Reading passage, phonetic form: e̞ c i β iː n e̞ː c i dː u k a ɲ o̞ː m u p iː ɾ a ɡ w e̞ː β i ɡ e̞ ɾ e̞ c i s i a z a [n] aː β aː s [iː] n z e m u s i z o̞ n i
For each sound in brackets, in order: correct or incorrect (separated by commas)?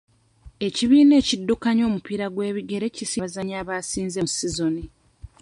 incorrect, correct